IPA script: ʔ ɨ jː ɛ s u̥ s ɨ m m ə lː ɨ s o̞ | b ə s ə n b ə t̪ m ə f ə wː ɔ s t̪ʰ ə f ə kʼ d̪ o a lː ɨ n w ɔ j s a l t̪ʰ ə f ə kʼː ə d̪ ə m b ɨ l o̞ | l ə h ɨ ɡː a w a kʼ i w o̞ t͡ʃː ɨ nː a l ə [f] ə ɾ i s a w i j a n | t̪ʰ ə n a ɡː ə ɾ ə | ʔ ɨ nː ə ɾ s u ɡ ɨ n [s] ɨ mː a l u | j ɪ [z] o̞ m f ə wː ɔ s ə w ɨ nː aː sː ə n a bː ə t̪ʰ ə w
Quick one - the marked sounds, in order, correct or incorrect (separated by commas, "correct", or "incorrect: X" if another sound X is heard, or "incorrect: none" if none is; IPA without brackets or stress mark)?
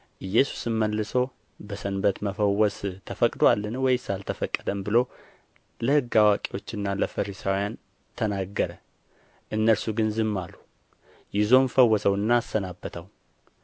correct, incorrect: z, correct